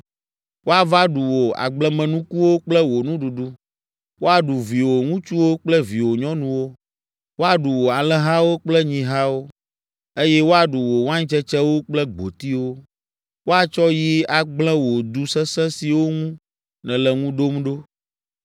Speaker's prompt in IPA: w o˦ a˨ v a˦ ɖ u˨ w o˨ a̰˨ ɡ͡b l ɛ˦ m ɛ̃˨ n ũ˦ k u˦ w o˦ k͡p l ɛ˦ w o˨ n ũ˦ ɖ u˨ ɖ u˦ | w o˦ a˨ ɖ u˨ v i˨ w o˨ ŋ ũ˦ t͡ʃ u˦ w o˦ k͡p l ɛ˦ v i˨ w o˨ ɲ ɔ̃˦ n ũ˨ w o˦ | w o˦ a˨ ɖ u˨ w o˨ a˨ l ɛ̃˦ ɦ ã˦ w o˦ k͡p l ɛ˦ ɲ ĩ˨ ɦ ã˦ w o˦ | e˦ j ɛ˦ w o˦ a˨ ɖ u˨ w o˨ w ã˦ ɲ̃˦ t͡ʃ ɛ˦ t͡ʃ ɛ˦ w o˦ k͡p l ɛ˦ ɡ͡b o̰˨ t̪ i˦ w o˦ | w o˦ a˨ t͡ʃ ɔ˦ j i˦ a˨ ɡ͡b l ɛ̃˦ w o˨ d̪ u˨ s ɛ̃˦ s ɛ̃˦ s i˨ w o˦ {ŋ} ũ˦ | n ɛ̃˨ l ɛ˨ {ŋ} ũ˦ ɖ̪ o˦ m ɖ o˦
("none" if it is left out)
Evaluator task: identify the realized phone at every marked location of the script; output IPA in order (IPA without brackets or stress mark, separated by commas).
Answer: ŋ, ŋ